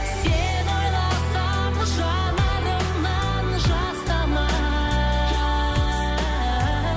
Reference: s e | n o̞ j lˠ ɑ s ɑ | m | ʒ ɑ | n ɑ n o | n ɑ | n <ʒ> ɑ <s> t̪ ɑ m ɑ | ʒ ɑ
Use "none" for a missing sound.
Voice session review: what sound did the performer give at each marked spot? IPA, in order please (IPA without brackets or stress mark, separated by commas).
ʒ, s